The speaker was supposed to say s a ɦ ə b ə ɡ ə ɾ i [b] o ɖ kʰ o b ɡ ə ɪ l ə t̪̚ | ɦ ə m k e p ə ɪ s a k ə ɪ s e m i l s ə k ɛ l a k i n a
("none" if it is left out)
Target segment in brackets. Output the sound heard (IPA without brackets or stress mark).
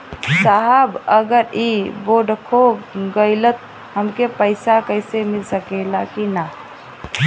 b